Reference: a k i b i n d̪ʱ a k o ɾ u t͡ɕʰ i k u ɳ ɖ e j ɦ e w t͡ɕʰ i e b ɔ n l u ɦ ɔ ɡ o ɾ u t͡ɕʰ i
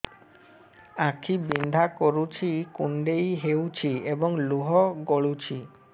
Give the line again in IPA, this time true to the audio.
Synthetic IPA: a kʰ i b i n d̪ʱ a k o ɾ u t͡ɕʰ i k u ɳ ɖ e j ɦ e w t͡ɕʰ i e b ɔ ŋ l u ɦ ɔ ɡ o ɭ u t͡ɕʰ i